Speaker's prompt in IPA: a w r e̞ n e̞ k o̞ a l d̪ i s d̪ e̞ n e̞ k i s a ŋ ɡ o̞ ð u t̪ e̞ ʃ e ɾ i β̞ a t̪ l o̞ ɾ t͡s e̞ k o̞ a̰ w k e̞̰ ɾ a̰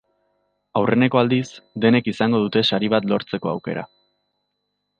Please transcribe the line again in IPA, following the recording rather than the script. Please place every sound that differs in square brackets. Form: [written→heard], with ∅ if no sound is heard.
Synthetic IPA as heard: a w r e̞ n e̞ k o̞ a l d̪ i s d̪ e̞ n e̞ k i s a ŋ ɡ o̞ ð u t̪ e̞ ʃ [e→a] ɾ i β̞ a t̪ l o̞ ɾ t͡s e̞ k o̞ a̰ w k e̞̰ ɾ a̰